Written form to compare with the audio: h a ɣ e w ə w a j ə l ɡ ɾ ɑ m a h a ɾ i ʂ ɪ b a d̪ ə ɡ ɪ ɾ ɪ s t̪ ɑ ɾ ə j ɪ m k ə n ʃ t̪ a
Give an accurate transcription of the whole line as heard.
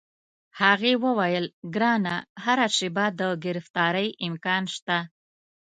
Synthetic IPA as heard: h a ɣ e w ə w a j ə l ɡ ɾ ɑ n a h a ɾ a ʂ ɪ b a d̪ ə ɡ ɪ ɾ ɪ f t̪ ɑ ɾ ə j ɪ m k ɑ n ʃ t̪ a

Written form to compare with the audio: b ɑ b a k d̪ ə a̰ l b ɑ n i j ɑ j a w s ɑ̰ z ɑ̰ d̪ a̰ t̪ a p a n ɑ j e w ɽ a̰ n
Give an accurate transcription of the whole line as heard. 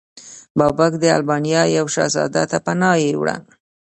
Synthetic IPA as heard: b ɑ b a k d̪ ə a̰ l b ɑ n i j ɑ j a w ʃ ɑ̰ z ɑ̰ d̪ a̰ t̪ a p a n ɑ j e w ɽ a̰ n

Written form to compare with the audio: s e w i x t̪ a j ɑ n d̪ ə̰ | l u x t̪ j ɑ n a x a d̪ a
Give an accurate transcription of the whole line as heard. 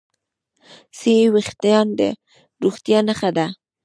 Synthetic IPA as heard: s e w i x t̪ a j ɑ n d̪ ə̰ | ɾ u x t̪ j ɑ n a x a d̪ a

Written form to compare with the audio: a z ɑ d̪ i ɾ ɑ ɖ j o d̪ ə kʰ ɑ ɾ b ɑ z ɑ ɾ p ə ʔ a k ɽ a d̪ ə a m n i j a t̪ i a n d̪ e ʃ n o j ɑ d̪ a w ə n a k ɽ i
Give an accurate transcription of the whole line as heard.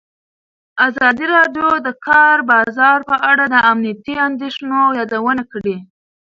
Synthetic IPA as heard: a z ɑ d̪ i ɾ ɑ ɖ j o d̪ ə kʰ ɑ ɾ b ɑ z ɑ ɾ p ə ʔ a ɽ a d̪ ə a m n i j a t̪ i a n d̪ e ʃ n o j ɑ d̪ a w ə n a k ɽ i

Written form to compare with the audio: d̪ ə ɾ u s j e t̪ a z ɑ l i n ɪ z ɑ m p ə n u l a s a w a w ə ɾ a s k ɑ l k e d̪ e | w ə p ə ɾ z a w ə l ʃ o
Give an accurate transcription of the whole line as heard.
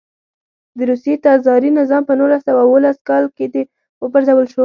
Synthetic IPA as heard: d̪ ə ɾ u s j e t̪ ɑ z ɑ ɾ i n ɪ z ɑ m p ə n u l a s a w a w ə l a s k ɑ l k e d̪ e | w ə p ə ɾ z a w ə l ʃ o

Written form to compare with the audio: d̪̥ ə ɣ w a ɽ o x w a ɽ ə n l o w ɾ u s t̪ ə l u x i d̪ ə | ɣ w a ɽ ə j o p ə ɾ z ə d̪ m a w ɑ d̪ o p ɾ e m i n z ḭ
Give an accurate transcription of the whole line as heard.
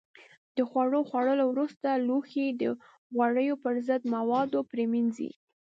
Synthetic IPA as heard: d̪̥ ə x w a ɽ o x w a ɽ ə l o w ɾ u s t̪ a l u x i d̪ ə | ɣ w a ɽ ə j o p ə ɾ z ə d̪ m a w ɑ d̪ o p ɾ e m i n z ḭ

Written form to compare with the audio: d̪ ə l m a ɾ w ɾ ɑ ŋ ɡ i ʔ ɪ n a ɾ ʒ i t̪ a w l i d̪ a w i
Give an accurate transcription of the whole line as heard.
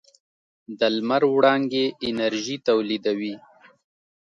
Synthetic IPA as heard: d̪ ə l m a ɾ w ɽ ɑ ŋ ɡ e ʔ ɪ n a ɾ ʒ i t̪ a w l i d̪ a w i

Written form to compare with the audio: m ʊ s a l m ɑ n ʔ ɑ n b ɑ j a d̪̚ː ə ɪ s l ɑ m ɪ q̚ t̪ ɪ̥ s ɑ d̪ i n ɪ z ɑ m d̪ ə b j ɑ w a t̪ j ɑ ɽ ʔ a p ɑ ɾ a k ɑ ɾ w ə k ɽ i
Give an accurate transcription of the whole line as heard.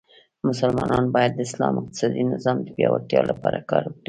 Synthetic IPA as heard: m ʊ s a l m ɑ n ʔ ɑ n b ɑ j a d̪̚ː ə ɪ s l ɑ m ɪ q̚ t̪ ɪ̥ s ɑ d̪ i n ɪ z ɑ m d̪ ə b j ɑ w a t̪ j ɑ l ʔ a p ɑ ɾ a k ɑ ɾ w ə k ɽ i

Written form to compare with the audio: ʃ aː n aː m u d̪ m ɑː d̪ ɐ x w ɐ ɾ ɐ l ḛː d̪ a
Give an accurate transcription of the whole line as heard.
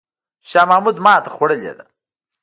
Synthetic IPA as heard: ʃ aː m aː m u d̪ m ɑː t̪ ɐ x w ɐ ɽ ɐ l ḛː d̪ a

